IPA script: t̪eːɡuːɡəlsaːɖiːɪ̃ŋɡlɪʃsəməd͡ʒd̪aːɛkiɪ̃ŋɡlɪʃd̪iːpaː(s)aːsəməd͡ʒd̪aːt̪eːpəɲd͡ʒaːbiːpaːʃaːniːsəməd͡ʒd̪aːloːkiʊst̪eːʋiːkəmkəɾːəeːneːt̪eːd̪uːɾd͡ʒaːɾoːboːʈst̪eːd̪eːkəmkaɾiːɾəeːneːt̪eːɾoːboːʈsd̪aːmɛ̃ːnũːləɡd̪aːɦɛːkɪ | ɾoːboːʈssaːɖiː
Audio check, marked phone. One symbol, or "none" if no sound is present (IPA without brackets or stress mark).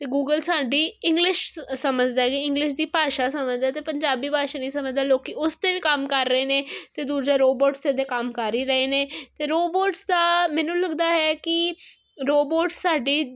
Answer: ʃ